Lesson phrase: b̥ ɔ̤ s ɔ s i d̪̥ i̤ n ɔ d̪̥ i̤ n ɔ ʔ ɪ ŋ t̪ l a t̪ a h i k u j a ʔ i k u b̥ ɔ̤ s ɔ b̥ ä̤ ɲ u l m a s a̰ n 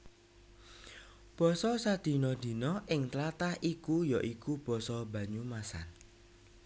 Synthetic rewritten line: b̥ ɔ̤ s ɔ s a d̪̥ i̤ n ɔ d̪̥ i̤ n ɔ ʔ ɪ ŋ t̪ l a t̪ a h i k u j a ʔ i k u b̥ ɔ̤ s ɔ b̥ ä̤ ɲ u m a s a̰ n